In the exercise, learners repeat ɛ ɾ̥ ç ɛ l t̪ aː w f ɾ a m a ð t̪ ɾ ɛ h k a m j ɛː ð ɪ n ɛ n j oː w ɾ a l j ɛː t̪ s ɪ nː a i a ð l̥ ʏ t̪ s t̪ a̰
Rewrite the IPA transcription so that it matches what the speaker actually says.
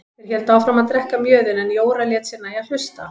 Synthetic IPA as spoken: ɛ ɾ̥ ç ɛ l t̪ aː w f ɾ a m a ð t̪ ɾ ɛ h k a m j œː ð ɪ n ɛ n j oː w ɾ a l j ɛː t̪ s ɪ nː a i a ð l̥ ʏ s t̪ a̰